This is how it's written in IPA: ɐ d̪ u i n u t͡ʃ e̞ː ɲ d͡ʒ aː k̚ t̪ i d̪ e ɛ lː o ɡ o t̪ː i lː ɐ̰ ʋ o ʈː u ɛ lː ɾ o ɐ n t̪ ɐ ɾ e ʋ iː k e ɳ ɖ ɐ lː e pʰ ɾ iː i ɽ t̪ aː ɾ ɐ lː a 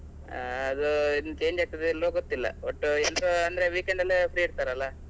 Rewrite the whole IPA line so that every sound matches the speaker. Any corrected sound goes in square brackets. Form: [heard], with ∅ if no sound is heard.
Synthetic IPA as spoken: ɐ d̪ u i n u t͡ʃ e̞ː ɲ d͡ʒ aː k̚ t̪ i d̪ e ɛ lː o ɡ o t̪ː i lː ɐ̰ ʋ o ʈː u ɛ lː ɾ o ɐ n [d̪] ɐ ɾ e ʋ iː k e ɳ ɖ ɐ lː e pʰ ɾ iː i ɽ t̪ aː ɾ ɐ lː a